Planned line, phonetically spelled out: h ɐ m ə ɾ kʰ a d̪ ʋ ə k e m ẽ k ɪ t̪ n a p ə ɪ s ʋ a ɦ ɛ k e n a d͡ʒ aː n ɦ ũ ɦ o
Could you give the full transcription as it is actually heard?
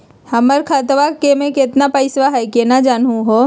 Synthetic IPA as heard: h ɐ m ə ɾ kʰ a t̪ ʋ a k e m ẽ k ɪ t̪ n a p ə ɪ s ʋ a ɦ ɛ k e n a d͡ʒ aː n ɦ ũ ɦ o